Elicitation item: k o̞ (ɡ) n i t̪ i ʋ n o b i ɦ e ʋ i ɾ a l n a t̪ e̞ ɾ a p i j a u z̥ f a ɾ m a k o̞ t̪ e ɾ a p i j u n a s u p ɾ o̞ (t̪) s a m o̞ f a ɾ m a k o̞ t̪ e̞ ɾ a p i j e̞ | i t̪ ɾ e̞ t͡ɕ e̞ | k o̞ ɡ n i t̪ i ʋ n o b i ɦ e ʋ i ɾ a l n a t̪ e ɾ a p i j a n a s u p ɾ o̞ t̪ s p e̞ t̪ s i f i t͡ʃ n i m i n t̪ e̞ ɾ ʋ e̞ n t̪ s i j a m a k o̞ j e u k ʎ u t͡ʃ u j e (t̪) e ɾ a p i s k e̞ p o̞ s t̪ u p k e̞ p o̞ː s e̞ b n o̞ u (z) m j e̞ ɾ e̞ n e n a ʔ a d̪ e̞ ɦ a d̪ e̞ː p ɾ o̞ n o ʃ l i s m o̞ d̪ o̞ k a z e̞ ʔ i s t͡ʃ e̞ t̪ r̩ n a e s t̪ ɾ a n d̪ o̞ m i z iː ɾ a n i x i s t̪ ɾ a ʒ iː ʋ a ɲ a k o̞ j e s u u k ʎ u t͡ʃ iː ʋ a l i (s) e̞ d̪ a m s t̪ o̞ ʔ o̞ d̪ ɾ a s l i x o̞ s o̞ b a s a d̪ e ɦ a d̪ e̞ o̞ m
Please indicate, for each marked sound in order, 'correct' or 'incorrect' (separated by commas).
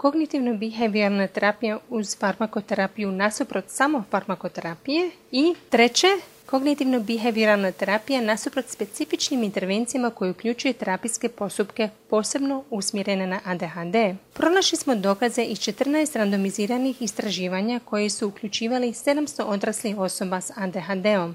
correct, correct, correct, incorrect, correct